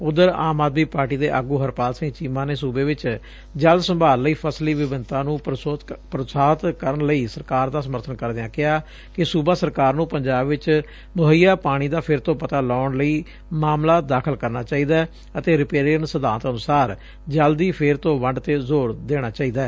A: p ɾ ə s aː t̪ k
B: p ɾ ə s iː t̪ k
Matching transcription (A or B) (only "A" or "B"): A